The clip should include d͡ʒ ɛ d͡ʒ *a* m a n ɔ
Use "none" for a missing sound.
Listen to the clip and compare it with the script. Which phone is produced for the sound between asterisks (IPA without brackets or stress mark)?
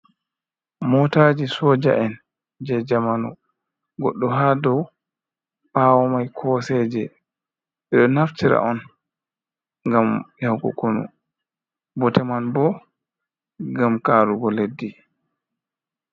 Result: a